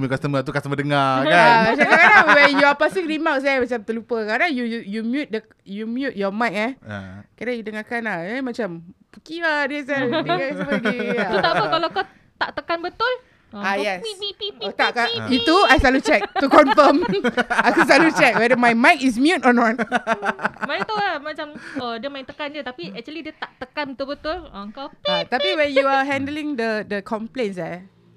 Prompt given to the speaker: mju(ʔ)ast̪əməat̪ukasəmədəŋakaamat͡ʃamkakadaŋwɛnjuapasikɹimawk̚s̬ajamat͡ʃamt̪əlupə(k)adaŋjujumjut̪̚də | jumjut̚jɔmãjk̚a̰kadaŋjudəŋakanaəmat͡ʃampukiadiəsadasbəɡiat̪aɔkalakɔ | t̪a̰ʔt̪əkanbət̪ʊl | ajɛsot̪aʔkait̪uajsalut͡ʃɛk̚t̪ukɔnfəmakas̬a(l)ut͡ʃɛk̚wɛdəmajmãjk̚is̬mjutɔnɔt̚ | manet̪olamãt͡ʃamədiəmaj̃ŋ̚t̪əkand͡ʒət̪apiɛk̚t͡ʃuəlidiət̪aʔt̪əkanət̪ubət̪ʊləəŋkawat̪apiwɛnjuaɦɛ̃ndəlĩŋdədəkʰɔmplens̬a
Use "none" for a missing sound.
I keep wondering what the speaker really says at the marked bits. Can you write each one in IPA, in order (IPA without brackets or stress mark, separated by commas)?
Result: k, k, l